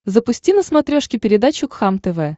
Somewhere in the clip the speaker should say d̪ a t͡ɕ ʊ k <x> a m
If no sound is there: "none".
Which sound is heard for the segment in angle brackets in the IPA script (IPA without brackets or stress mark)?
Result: x